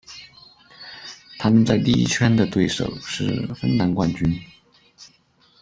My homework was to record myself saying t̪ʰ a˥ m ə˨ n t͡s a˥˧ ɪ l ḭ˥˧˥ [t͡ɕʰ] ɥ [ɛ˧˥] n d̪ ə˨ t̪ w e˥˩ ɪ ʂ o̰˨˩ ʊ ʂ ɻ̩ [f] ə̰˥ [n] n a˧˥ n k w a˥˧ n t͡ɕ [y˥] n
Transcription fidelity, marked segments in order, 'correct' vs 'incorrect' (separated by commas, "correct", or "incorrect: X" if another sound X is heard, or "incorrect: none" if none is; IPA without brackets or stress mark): correct, incorrect: ɛ˥, correct, correct, correct